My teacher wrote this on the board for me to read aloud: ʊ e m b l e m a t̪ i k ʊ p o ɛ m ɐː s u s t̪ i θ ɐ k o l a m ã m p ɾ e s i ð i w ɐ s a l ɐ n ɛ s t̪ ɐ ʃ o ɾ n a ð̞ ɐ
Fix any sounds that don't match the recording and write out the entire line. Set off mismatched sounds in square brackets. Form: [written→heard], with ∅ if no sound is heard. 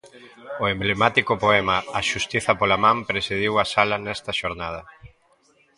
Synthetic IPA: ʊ e m b l e m a t̪ i k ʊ p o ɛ m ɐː [s→ʃ] u s t̪ i θ ɐ [k→p] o l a m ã m p ɾ e s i ð i w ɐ s a l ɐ n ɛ s t̪ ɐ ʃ o ɾ n a ð̞ ɐ

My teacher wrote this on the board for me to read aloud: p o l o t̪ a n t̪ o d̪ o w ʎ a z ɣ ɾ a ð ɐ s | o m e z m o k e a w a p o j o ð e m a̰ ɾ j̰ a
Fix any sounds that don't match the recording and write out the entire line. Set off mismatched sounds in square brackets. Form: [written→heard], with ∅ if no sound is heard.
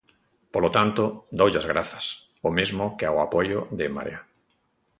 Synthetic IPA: p o l o t̪ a n t̪ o d̪ o w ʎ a z ɣ ɾ a [ð→θ] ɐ s | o m e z m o k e a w a p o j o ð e m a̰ ɾ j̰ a

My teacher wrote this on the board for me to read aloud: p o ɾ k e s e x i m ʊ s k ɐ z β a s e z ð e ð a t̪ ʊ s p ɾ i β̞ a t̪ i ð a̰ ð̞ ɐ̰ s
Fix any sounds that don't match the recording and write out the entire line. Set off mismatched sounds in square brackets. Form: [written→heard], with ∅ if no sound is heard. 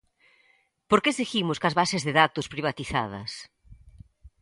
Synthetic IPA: p o ɾ k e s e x i m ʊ s k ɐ z β a s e z ð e ð a t̪ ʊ s p ɾ i β̞ a t̪ i [ð→θ] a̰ ð̞ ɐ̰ s

